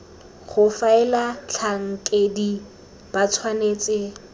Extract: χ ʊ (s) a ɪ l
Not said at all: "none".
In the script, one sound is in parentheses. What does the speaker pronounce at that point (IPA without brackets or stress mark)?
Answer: f